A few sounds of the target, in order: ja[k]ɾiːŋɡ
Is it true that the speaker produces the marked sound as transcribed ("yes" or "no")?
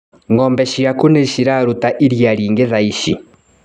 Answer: no